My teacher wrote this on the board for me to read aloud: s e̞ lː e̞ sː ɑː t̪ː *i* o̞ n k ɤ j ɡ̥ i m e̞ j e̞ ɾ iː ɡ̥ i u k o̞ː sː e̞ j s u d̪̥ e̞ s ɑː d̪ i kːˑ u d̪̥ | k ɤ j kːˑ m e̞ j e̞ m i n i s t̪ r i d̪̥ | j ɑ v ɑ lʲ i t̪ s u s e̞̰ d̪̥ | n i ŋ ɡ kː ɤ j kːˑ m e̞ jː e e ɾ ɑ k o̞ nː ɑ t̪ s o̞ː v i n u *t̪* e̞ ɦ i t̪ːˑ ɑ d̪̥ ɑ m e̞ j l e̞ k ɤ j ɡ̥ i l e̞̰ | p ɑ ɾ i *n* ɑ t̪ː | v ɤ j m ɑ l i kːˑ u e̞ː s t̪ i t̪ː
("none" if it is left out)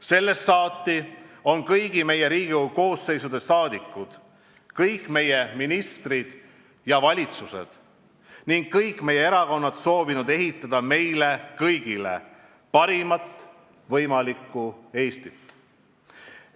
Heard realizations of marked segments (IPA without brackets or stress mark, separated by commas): i, d̪, m